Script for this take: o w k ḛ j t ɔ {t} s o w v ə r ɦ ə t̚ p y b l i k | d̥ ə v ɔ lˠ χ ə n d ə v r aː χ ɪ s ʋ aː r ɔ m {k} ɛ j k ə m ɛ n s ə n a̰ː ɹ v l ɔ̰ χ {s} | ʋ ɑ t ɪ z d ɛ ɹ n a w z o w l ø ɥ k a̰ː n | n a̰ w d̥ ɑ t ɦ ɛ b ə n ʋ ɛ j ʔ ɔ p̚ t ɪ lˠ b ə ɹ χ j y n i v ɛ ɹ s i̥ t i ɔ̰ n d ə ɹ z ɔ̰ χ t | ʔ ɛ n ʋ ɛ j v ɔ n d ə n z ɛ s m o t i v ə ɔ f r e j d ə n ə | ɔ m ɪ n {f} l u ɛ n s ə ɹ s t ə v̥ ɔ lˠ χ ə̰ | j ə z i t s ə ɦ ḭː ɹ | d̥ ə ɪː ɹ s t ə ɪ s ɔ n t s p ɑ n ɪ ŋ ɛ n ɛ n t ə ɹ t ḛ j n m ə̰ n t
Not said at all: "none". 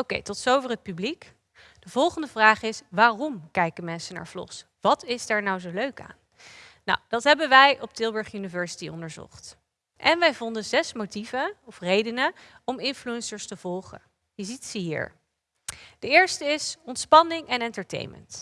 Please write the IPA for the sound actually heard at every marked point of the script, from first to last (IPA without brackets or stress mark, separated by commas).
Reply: t, k, s, f